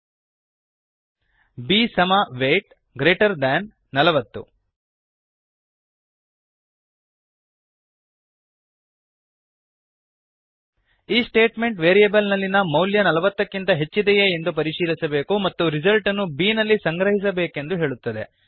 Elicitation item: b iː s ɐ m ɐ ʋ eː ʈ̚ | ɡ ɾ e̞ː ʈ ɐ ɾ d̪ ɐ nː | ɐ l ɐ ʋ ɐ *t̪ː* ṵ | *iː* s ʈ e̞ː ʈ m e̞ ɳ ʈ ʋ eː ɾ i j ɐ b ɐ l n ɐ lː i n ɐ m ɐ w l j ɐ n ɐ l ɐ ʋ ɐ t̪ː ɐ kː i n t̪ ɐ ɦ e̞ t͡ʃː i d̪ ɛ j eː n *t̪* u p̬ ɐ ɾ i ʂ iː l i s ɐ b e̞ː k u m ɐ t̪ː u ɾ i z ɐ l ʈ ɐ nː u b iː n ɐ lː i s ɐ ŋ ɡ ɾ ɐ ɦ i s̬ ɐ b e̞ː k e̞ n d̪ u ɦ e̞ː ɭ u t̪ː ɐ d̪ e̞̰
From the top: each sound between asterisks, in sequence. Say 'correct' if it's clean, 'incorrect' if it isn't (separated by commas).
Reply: correct, correct, incorrect